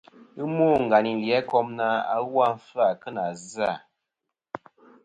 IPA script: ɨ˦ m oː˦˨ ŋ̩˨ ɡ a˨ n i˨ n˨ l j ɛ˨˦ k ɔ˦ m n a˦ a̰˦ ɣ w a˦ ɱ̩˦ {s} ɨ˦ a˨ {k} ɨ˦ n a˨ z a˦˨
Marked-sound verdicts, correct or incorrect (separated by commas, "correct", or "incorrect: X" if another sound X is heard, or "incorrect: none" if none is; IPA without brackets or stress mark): incorrect: f, correct